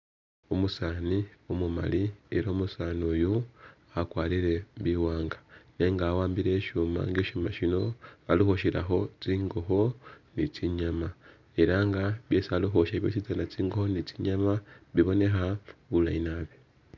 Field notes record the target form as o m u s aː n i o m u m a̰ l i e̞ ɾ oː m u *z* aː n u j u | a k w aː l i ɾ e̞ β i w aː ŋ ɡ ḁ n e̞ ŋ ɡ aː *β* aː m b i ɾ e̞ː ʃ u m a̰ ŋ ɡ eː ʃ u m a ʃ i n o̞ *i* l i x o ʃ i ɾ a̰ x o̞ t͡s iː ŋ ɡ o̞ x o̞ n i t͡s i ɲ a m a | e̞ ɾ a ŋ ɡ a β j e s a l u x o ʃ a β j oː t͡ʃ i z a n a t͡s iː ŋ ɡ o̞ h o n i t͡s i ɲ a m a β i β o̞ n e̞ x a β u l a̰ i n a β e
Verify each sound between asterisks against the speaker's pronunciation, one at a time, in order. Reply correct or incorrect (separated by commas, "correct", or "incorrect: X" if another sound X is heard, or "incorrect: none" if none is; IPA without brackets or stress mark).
incorrect: s, incorrect: w, incorrect: a